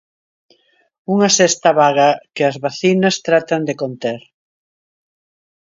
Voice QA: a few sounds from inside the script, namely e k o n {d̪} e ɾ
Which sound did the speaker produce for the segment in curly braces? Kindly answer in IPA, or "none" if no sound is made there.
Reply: t̪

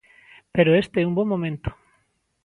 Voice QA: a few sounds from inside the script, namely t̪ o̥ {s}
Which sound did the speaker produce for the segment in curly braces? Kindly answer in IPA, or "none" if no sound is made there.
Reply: none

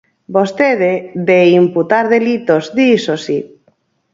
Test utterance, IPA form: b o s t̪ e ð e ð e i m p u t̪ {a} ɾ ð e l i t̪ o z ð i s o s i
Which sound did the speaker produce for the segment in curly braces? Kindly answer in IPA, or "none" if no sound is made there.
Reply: a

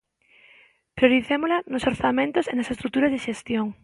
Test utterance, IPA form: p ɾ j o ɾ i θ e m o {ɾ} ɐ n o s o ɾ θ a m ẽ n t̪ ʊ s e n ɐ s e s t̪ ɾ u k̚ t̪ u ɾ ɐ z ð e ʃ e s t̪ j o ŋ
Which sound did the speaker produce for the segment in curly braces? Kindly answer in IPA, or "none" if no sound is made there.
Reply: l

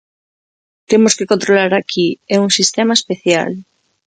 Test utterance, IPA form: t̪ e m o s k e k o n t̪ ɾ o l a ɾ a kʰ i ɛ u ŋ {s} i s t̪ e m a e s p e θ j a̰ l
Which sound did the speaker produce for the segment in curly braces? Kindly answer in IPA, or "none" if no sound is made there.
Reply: s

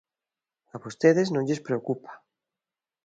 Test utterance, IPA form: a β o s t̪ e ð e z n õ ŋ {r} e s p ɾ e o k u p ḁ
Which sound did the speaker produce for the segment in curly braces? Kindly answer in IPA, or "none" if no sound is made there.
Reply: ʎ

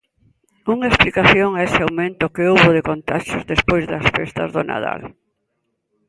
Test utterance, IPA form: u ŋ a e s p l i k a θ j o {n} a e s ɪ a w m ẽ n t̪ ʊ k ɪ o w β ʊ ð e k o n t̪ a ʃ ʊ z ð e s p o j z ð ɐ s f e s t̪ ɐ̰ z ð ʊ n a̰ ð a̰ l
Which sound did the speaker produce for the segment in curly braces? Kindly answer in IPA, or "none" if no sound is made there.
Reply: ŋ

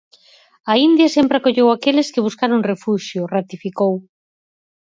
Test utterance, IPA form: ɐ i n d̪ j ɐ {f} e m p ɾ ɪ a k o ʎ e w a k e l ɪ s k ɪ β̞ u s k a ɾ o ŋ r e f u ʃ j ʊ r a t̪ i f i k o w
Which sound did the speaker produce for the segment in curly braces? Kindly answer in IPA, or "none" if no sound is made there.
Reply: s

